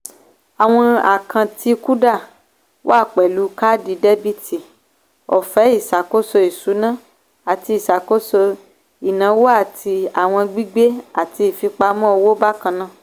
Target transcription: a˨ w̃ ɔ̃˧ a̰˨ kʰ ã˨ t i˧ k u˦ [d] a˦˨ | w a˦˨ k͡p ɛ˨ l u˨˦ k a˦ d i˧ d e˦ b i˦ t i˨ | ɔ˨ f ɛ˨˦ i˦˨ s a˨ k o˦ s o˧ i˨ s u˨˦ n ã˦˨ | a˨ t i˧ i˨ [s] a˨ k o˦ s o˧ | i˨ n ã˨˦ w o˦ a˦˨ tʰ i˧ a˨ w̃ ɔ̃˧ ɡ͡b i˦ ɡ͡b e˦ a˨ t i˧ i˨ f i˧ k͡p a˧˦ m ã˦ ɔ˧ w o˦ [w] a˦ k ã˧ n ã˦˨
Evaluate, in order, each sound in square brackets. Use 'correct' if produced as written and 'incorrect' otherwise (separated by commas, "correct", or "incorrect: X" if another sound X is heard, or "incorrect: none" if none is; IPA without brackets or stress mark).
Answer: correct, correct, incorrect: b